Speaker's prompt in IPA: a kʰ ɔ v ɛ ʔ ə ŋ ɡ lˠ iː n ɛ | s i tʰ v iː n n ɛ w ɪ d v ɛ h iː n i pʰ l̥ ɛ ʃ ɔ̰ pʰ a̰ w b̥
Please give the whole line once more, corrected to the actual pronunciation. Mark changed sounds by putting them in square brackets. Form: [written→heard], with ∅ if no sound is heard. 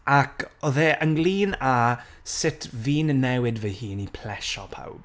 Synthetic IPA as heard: a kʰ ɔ [v→ð] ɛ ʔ ə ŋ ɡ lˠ iː n [ɛ→a] | s [i→ɪ] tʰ v iː n n ɛ w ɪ d v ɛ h iː n i pʰ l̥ ɛ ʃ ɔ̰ pʰ a̰ w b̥